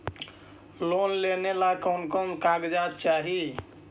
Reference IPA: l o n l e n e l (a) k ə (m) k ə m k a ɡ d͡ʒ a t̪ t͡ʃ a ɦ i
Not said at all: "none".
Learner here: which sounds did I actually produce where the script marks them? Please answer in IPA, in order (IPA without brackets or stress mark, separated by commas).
a, n